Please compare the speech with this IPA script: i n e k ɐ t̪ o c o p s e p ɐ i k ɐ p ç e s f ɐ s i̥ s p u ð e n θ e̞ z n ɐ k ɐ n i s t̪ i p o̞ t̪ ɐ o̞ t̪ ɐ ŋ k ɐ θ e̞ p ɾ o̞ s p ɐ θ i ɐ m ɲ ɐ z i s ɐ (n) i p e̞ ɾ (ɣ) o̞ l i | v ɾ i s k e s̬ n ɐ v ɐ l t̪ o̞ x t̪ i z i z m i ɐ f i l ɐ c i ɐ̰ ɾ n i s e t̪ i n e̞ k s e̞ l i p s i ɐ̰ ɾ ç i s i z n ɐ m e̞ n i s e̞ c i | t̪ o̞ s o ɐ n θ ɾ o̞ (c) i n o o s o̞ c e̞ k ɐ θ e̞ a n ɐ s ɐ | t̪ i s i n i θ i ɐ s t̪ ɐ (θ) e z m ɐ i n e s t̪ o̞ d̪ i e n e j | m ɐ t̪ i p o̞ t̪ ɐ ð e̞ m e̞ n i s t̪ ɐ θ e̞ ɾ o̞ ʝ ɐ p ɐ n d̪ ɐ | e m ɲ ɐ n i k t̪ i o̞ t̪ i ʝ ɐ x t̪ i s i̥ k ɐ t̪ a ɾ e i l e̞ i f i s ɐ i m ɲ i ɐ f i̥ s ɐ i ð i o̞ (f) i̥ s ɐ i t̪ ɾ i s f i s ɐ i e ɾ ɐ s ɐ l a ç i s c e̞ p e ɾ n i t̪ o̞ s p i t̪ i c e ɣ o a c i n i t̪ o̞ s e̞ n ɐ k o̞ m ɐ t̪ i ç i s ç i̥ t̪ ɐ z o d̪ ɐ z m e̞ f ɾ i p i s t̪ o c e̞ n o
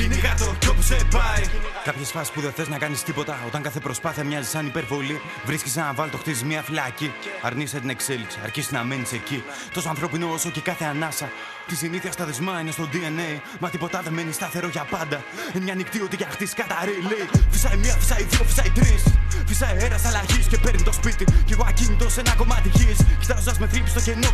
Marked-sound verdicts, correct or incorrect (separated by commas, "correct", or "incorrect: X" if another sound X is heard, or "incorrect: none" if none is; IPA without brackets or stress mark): correct, incorrect: v, incorrect: p, incorrect: ð, correct